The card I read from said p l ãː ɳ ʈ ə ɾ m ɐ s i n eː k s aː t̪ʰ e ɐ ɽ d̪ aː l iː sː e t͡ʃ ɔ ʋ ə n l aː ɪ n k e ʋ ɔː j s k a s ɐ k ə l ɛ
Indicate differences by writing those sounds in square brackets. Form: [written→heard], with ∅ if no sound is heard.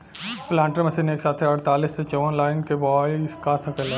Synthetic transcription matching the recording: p l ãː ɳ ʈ ə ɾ m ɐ s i n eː k s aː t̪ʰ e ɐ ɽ [d̪→t̪] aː l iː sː e t͡ʃ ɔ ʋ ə n l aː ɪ n k e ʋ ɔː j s k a s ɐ k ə l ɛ